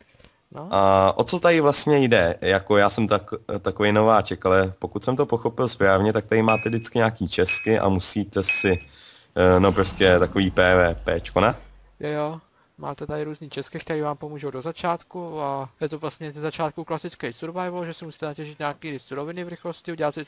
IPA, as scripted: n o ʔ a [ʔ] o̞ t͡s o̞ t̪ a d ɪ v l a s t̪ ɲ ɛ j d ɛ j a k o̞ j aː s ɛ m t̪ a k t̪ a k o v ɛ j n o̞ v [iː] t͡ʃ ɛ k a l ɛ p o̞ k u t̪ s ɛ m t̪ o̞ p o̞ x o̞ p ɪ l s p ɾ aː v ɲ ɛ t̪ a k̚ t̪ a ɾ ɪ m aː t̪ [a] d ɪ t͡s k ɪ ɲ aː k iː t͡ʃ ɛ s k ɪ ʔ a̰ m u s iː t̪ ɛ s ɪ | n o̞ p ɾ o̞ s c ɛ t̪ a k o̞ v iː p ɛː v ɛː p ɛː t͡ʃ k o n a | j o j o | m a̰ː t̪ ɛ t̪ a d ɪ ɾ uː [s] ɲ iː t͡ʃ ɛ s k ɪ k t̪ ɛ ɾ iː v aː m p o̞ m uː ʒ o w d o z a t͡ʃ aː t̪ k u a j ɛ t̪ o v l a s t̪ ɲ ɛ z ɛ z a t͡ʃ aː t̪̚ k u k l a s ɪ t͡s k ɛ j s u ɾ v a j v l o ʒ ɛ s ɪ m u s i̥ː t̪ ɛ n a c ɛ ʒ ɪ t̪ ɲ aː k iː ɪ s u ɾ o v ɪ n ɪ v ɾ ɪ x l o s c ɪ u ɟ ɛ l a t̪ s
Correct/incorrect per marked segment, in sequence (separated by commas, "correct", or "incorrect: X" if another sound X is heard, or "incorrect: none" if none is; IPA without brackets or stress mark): correct, incorrect: aː, incorrect: ɛ, incorrect: z